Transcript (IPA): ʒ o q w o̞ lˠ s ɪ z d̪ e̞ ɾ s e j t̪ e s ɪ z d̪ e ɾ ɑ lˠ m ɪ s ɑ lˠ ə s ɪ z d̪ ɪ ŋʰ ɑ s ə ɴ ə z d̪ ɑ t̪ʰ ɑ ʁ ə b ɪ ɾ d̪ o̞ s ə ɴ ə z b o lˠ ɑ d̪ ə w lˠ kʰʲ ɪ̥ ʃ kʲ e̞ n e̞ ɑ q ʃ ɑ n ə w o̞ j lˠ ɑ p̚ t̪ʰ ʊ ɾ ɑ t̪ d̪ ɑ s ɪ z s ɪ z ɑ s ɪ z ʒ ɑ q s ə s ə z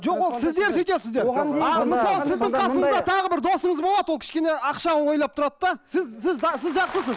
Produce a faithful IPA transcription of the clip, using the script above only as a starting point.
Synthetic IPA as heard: ʒ o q w o̞ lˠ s ɪ z d̪ e̞ ɾ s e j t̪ e s ɪ z d̪ e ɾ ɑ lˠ m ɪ s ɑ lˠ ə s ɪ z d̪ ɪ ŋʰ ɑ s ə ɴ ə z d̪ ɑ t̪ʰ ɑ ʁ ə b ɪ ɾ d̪ o̞ s ə ɴ ə z b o lˠ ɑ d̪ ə w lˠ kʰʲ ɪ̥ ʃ kʲ e̞ n e̞ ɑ q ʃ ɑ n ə w o̞ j lˠ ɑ p̚ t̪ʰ ʊ ɾ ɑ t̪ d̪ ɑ s ɪ z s ɪ z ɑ s ɪ z ʒ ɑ q s ə s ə z